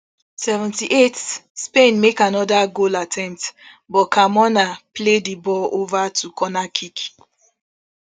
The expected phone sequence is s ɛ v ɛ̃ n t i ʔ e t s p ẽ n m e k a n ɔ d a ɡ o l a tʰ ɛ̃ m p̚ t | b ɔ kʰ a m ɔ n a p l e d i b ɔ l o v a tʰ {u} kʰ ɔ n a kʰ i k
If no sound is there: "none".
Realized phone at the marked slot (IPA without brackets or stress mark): u